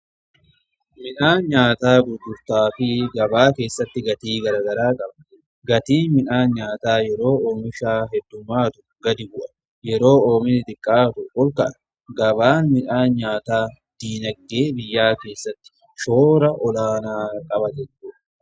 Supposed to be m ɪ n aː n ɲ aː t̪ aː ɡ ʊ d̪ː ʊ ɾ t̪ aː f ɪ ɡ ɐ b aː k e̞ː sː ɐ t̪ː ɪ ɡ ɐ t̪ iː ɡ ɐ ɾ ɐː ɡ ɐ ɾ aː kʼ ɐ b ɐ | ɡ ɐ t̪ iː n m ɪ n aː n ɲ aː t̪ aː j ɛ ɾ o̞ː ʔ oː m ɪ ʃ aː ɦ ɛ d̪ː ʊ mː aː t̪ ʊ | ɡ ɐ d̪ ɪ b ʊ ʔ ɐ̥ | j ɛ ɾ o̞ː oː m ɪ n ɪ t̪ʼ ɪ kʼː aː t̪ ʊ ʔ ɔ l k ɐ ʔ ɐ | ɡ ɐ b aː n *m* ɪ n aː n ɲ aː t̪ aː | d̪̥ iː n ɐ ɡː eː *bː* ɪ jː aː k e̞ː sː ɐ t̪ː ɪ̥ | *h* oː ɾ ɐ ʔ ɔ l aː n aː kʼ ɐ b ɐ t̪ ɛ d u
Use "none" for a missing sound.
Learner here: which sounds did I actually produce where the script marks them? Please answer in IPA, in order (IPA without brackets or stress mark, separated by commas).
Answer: m, b, ʃ